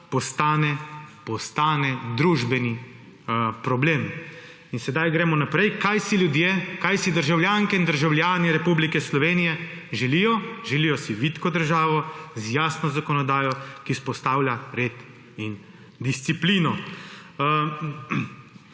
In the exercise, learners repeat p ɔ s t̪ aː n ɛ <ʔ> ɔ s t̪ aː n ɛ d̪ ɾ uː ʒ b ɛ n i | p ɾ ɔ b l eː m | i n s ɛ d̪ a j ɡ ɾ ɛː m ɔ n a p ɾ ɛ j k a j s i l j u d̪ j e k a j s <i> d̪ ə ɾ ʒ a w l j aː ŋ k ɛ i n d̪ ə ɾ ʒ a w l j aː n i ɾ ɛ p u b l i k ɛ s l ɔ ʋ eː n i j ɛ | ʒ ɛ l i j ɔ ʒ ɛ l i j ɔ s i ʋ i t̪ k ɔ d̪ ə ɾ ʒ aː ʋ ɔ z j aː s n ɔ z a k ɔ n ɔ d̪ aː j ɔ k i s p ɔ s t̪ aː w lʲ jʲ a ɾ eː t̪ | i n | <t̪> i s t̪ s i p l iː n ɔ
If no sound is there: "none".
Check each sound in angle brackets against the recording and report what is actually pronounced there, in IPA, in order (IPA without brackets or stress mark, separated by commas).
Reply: p, i, d̪